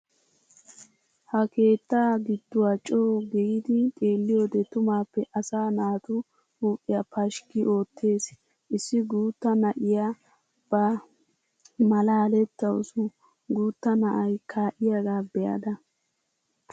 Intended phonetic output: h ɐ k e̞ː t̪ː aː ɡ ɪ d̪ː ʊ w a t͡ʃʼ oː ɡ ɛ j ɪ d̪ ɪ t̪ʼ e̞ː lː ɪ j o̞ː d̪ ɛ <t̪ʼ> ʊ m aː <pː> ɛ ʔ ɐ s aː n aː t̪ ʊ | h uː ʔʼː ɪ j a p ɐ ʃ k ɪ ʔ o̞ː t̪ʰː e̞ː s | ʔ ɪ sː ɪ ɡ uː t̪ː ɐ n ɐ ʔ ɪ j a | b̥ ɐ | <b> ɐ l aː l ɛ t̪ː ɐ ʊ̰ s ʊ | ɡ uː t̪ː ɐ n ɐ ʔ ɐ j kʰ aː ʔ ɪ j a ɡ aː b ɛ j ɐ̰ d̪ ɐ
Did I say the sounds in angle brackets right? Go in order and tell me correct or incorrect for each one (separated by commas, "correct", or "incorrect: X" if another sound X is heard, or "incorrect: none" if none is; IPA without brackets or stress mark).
incorrect: t̪, correct, incorrect: m